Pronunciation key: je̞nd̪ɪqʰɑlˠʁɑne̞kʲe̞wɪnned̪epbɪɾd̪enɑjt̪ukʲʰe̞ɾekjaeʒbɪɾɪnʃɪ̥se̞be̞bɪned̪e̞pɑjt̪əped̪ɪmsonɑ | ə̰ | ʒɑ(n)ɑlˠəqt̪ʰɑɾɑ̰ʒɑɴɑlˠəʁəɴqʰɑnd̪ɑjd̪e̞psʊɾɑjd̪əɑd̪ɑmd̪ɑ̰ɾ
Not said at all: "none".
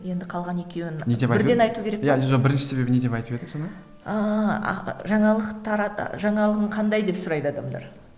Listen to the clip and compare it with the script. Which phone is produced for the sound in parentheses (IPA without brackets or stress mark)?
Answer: ɴ